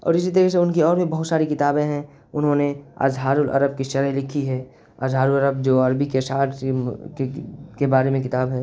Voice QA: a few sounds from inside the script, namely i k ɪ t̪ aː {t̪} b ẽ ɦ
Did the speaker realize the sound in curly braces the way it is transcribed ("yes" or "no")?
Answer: no